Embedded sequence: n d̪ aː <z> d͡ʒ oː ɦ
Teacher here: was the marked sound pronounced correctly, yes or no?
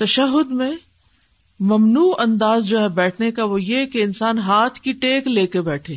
yes